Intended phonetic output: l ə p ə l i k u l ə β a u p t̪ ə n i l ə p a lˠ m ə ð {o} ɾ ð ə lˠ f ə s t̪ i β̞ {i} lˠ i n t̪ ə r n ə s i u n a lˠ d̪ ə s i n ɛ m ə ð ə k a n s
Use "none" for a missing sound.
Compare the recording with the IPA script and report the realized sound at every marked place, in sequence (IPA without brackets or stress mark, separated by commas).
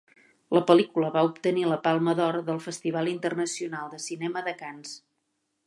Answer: ɔ, a